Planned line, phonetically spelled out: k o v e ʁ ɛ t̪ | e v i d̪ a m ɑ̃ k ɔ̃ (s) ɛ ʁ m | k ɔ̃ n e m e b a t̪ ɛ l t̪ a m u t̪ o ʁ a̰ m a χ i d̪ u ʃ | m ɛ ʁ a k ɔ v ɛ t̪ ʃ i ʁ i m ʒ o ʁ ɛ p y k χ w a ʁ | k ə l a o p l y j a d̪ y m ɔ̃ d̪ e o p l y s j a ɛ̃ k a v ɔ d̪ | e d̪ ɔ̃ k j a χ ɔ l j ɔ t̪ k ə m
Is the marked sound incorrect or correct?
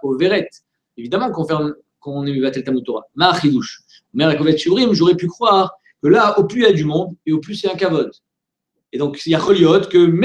incorrect